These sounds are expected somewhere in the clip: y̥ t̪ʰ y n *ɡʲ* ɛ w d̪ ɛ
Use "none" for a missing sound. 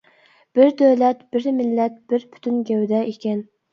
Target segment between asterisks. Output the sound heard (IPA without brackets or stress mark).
ɡʲ